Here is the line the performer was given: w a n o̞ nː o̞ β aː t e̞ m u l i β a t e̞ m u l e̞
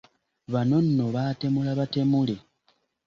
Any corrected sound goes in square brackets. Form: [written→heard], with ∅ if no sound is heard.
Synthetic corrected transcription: [w→β] a n o̞ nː o̞ β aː t e̞ m u l [i→a] β a t e̞ m u l e̞